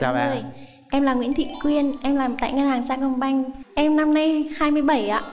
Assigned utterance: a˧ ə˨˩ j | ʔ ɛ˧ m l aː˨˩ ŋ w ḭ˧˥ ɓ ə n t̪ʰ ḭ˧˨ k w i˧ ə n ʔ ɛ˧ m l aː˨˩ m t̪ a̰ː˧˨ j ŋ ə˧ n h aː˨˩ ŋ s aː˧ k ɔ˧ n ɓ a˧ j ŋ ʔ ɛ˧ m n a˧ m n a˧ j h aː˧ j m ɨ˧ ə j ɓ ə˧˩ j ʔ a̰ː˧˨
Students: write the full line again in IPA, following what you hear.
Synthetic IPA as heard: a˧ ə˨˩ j | ʔ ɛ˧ m l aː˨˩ ŋ w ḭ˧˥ ə n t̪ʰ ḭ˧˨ k w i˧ ə n ʔ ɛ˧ m l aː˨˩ m t̪ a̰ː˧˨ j ŋ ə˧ n h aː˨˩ ŋ s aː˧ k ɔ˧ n ɓ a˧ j ŋ ʔ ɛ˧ m n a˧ m n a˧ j h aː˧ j m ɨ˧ ə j ɓ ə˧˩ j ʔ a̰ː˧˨